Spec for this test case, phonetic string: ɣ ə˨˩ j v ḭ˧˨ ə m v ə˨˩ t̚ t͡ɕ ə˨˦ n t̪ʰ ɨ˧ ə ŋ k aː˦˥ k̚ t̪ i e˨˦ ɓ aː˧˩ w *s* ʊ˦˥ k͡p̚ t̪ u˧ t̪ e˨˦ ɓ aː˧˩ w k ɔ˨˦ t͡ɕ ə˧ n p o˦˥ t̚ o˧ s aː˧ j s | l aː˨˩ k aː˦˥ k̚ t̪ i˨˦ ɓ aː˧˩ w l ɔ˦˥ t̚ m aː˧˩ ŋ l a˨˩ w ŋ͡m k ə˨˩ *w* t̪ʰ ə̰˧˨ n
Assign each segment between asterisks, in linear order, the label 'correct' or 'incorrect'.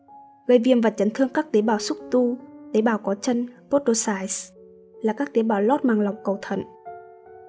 correct, correct

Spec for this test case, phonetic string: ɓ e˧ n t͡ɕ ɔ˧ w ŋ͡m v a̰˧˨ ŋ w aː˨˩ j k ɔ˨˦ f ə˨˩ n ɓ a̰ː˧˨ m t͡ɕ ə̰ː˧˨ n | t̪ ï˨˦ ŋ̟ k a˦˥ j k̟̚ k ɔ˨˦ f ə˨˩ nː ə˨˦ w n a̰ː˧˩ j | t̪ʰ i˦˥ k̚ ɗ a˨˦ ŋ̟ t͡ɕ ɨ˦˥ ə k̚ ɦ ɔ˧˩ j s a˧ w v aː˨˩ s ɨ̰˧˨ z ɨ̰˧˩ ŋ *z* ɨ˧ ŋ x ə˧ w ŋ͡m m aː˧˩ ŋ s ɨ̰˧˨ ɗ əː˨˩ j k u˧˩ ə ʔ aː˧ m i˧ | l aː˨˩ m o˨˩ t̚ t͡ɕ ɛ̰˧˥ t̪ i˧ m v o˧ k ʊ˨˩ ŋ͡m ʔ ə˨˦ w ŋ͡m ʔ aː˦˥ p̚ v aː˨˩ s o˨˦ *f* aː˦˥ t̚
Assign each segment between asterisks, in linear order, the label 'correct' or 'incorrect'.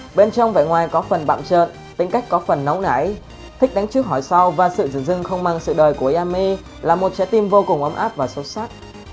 correct, incorrect: s

